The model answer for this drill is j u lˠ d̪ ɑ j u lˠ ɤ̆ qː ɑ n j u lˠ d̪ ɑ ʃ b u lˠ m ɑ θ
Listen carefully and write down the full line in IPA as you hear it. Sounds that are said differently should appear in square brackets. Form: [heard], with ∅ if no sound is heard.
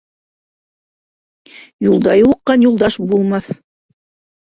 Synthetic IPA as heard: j u lˠ d̪ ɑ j u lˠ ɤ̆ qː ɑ n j u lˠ d̪ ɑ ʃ b u lˠ m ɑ θ